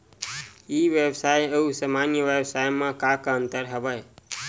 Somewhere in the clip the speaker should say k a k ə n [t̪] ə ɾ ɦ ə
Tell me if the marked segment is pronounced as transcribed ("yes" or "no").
yes